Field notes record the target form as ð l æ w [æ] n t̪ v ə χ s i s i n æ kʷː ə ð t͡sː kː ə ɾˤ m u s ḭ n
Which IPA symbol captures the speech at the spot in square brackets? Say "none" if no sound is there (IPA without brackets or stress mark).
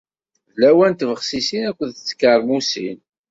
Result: æ